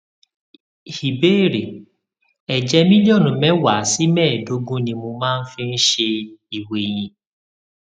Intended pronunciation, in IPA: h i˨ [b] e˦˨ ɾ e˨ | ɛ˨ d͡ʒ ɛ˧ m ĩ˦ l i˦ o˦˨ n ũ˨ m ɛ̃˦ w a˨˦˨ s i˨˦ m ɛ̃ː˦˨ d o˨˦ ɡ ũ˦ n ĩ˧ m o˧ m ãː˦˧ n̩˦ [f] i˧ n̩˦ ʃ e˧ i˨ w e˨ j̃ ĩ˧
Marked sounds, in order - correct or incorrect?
correct, correct

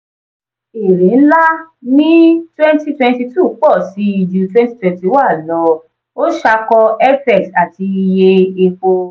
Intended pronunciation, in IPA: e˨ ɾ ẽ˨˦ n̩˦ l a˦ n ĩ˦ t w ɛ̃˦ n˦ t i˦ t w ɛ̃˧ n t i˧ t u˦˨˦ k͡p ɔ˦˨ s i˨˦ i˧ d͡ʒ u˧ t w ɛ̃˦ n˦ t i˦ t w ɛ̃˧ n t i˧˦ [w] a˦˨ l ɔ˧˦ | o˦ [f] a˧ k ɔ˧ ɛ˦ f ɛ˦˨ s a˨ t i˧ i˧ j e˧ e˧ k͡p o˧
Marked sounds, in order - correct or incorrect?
correct, incorrect: ʃ

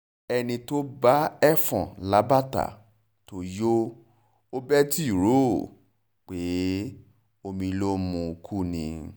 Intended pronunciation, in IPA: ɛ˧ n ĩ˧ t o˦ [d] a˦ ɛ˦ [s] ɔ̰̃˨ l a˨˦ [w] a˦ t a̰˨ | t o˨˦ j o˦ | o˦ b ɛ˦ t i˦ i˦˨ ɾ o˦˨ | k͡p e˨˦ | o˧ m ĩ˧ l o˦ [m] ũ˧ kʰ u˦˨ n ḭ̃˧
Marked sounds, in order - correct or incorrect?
incorrect: b, incorrect: f, incorrect: b, correct

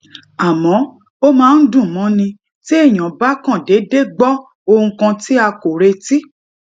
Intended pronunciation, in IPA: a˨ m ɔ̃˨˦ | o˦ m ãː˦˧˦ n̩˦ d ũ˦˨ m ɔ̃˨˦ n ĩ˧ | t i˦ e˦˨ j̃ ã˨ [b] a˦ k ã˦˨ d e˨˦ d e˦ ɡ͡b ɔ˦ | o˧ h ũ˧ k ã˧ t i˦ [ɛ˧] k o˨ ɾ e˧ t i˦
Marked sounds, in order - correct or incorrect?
correct, incorrect: a˧

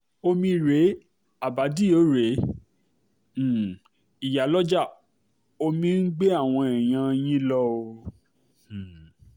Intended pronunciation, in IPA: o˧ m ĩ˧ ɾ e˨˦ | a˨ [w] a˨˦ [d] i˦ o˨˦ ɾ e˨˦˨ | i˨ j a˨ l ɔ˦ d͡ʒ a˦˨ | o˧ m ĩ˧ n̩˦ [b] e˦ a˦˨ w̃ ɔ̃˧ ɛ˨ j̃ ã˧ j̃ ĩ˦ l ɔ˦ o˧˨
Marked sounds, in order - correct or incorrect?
incorrect: b, correct, incorrect: ɡ͡b

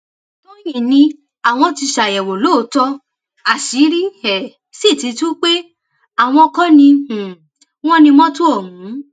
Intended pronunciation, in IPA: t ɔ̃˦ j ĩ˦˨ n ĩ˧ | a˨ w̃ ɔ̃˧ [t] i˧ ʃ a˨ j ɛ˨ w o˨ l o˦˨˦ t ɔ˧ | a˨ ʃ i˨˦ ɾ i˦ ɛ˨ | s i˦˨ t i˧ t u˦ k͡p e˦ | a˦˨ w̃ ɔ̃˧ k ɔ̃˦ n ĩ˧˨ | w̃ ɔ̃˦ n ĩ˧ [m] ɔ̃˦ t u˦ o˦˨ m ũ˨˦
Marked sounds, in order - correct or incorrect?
correct, correct

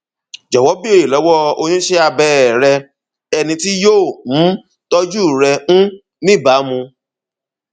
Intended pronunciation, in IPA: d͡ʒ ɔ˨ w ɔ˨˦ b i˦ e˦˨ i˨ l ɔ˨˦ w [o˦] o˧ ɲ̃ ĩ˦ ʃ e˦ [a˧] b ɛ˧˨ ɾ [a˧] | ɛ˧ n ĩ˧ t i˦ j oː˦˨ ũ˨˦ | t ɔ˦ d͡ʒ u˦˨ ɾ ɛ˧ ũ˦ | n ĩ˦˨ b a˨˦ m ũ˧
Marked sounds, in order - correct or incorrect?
incorrect: ɔ˦, correct, incorrect: ɛ˧

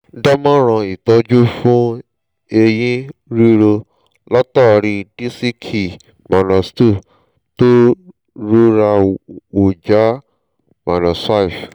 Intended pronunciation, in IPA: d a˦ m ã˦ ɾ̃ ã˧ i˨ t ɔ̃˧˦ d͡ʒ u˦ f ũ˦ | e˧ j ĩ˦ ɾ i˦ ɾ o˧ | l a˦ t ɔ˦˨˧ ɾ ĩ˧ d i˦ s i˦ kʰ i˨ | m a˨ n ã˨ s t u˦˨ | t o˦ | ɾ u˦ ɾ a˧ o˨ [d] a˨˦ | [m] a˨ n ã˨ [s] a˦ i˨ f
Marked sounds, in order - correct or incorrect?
incorrect: d͡ʒ, correct, correct

